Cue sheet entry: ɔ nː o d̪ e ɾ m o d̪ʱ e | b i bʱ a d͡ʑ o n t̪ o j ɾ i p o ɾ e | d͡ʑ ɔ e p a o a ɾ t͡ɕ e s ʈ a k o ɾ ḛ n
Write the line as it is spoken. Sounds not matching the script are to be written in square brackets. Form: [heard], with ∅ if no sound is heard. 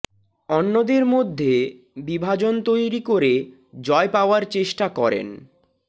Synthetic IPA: ɔ nː o d̪ e ɾ m o [d̪ʱː] e | b i bʱ a d͡ʑ o n t̪ o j ɾ i [k] o ɾ e | d͡ʑ ɔ e p a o a ɾ t͡ɕ e [ʃ] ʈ a k [ɔ] ɾ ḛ n

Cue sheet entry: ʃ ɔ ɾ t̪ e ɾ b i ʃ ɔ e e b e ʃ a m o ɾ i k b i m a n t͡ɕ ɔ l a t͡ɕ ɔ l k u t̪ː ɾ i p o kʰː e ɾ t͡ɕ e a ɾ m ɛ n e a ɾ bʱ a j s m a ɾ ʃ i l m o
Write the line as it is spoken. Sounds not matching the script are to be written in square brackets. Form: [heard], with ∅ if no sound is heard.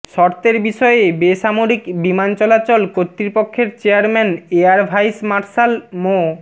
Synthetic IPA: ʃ ɔ ɾ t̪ e ɾ b i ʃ ɔ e e b e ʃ a m o ɾ i k b i m a n t͡ɕ ɔ l a t͡ɕ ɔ l k [o] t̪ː ɾ i p o kʰː e ɾ t͡ɕ e a ɾ m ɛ n e a ɾ bʱ a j s m a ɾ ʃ [a] l m o

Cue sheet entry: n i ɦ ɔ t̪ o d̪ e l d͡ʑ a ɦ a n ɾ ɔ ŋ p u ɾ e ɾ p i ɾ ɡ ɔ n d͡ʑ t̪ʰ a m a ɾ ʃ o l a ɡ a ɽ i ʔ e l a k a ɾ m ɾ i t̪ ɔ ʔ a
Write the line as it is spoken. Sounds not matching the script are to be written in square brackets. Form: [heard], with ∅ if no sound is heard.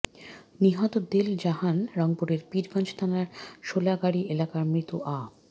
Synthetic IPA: n i ɦ ɔ t̪ o d̪ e l d͡ʑ a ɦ a n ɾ ɔ ŋ p u ɾ e ɾ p i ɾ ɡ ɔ n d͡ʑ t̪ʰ a [n] a ɾ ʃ o l a ɡ a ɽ i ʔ e l a k a ɾ m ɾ i t̪ [u] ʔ a

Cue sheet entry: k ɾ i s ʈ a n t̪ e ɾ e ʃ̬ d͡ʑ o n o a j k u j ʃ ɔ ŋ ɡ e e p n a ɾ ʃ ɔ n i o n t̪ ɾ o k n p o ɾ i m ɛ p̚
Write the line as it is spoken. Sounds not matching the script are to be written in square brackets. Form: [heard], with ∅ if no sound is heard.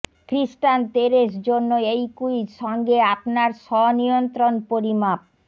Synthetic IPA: k ɾ i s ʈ a n t̪ e ɾ e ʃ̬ d͡ʑ o [nː] o [e] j k u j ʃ ɔ ŋ ɡ e [a] p n a ɾ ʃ ɔ n i o n t̪ ɾ o [∅] n p o ɾ i m [a] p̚

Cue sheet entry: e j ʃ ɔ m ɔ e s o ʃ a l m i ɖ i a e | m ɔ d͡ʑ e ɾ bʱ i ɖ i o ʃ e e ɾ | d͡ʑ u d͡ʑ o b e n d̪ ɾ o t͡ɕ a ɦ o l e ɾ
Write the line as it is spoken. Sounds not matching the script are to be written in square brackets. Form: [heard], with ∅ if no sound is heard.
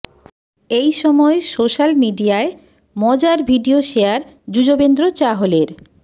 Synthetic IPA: e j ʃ ɔ m ɔ e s o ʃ a l m i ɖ i a e | m ɔ d͡ʑ [a] ɾ bʱ i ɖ i o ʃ e [a] ɾ | d͡ʑ u d͡ʑ o b e n d̪ ɾ o t͡ɕ a ɦ o l e ɾ

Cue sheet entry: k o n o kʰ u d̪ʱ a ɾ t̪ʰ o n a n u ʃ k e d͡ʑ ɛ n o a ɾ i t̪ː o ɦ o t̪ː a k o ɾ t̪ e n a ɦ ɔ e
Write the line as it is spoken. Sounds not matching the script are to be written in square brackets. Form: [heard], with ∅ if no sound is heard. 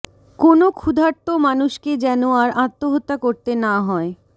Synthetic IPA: k o n o kʰ u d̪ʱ a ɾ [t̪] o [m] a n u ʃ k e d͡ʑ ɛ n o a ɾ [a] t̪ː o ɦ o t̪ː a k o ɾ t̪ e n a ɦ ɔ e

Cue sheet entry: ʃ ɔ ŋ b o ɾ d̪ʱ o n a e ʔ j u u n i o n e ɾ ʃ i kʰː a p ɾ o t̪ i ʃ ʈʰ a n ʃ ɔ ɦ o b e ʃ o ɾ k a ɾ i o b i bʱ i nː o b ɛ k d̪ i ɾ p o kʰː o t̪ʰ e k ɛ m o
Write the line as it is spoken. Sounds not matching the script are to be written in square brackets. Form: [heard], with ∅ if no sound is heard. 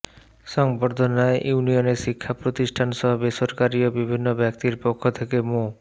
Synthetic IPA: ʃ ɔ ŋ b o ɾ d̪ʱ o n a e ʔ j u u n i o n e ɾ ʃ i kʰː a p ɾ o t̪ i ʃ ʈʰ a n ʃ ɔ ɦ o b e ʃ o ɾ k a ɾ i o b i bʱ i nː o b ɛ k [t̪] i ɾ p o kʰː o t̪ʰ e k [e] m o

